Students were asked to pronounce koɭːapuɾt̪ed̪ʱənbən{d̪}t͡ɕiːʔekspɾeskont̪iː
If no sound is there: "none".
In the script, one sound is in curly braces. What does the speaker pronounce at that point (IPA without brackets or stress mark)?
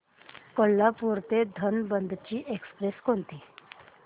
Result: d̪